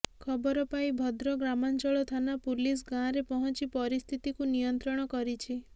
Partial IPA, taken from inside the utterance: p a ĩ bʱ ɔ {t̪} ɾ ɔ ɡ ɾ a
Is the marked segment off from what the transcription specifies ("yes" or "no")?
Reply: yes